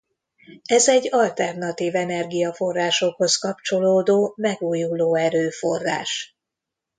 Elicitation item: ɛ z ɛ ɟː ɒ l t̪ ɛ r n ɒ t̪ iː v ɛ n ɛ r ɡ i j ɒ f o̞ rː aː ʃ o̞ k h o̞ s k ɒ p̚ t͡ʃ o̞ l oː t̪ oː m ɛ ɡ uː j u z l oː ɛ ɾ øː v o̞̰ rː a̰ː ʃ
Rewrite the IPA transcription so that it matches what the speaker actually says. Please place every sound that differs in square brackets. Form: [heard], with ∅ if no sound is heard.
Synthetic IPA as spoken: ɛ z ɛ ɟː ɒ l t̪ ɛ r n ɒ t̪ iː v ɛ n ɛ r ɡ i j ɒ f o̞ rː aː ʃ o̞ k h o̞ s k ɒ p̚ t͡ʃ o̞ l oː [d̪] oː m ɛ ɡ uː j u [∅] l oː ɛ ɾ øː [f] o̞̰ rː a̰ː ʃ